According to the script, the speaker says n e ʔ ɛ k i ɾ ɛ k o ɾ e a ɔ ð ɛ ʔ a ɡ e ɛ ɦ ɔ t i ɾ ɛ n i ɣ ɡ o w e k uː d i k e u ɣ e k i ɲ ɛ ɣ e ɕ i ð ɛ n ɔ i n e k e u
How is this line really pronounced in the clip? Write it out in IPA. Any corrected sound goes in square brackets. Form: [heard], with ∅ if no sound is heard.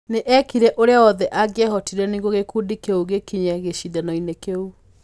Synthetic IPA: n e ʔ ɛ k i ɾ ɛ [ʔ] o ɾ e a ɔ ð ɛ ʔ a ɡ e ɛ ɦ ɔ t i ɾ ɛ n i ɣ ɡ o [ɣ] e k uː d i k e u ɣ e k i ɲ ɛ ɣ e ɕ i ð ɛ n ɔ i n e k e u